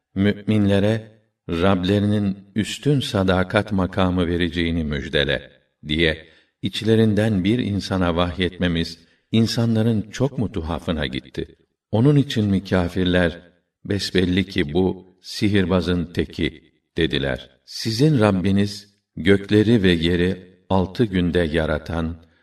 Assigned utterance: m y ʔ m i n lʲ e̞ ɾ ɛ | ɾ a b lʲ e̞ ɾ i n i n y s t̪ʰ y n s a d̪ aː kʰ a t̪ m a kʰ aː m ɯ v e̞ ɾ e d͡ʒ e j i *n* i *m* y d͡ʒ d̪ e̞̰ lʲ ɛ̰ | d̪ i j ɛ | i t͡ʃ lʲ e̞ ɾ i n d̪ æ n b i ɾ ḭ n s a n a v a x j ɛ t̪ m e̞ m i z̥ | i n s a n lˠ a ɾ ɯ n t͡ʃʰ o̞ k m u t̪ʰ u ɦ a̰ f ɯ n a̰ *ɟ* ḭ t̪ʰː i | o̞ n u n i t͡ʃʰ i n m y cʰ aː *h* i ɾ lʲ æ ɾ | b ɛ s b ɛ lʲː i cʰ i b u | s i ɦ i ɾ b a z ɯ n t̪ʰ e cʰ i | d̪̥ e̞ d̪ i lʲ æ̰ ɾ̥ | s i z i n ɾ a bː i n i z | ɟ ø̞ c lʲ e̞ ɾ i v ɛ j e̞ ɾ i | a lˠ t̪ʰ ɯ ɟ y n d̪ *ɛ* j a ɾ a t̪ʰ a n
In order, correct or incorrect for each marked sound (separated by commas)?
correct, correct, correct, incorrect, correct